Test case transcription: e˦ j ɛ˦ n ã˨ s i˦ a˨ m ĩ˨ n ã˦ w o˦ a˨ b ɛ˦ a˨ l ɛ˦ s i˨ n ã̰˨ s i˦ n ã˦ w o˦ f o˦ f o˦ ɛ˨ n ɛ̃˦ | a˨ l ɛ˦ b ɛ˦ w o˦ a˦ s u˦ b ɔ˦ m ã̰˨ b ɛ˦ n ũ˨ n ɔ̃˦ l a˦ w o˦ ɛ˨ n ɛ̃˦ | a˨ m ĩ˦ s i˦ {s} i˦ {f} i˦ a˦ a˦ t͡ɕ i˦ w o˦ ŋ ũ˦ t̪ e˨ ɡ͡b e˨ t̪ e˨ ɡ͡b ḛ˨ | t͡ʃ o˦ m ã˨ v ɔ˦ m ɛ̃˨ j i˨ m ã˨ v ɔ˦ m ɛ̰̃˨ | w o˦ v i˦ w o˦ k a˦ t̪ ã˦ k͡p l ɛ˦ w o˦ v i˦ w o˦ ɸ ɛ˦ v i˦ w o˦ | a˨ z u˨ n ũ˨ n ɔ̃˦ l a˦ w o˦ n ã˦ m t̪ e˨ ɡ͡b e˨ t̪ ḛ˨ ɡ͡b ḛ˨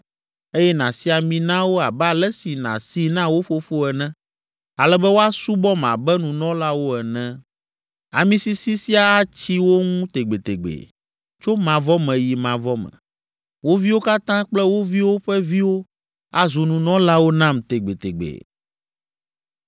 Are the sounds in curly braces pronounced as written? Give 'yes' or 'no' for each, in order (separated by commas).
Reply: yes, no